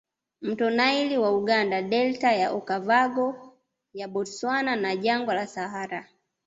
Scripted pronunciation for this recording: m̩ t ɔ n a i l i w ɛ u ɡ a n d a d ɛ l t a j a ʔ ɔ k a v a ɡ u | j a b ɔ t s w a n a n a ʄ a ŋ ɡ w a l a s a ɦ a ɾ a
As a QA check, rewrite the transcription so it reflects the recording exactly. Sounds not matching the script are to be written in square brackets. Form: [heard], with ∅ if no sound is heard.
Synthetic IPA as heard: m̩ t ɔ n a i l i w [a] u ɡ a n d a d ɛ l t a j a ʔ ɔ k a v a ɡ [ɔ] | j a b ɔ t s w a n a n a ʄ a ŋ ɡ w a l a s a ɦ a ɾ a